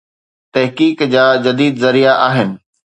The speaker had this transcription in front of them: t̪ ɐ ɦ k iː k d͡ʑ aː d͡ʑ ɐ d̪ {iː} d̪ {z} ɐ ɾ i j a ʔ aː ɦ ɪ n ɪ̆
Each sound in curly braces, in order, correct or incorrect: correct, correct

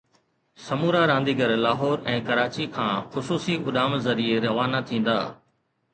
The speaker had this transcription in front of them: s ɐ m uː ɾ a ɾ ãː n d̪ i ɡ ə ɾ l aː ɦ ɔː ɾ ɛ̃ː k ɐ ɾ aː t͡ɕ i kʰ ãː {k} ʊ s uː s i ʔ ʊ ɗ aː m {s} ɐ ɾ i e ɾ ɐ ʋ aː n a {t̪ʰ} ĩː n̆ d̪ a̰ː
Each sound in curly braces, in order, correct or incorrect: incorrect: x, incorrect: z, correct

